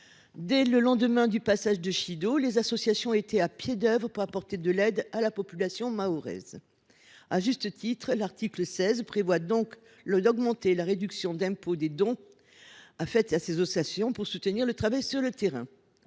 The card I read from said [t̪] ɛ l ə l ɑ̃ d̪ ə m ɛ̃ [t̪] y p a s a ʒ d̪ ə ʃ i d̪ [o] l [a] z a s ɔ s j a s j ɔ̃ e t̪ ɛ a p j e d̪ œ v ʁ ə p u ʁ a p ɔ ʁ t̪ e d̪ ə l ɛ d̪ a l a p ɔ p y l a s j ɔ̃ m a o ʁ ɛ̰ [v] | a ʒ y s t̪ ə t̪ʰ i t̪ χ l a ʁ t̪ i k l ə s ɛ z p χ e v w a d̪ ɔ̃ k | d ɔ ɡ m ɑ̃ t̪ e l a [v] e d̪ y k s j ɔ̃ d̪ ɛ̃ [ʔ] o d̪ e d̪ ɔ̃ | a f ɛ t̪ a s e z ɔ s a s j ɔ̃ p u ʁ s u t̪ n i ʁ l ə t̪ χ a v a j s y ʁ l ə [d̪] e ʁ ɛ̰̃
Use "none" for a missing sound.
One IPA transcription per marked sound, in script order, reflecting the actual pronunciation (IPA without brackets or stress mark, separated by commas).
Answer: d̪, d̪, o, e, z, ʁ, p, t̪